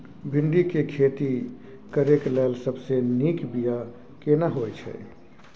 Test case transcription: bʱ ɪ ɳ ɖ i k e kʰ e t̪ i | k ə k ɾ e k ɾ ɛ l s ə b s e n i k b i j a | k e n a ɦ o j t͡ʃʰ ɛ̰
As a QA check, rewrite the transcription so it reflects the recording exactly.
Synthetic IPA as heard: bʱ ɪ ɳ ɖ i k e kʰ e t̪ i | k ə ɾ e k l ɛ l s ə b s e n i k b i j a | k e n a ɦ o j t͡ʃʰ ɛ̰